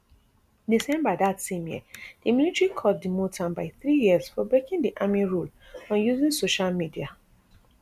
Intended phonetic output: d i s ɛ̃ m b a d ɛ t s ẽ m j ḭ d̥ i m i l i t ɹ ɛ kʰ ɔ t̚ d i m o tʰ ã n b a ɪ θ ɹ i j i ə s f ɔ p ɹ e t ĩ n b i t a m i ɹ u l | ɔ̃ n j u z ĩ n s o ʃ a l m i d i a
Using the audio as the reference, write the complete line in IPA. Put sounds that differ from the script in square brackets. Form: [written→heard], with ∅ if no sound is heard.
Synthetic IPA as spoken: d i s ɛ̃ m b a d [ɛ→a] t s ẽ m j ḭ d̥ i m i l i t ɹ [ɛ→i] kʰ ɔ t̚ d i m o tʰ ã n b a ɪ θ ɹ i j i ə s f ɔ [p→b] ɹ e [t→k] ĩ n [b→d] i [t→ʔ] a m i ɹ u l | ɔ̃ n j u z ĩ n s o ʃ a l m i d i a